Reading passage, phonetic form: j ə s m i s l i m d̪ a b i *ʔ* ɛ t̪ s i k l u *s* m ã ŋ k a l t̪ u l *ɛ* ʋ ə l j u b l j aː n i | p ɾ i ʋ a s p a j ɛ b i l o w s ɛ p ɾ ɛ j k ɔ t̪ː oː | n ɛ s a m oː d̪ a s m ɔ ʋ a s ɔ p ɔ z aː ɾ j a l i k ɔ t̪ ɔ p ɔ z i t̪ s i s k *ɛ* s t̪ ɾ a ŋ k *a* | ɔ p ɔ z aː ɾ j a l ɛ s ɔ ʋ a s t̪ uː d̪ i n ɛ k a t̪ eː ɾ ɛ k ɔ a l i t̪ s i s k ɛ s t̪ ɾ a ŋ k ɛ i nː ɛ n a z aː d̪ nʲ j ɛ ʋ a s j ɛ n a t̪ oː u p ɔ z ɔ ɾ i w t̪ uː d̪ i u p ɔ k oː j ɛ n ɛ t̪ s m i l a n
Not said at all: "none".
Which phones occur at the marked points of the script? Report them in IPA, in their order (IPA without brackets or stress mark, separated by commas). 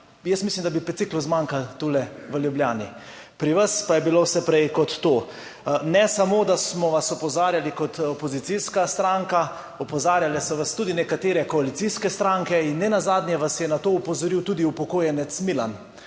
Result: p, z, ɛ, a, a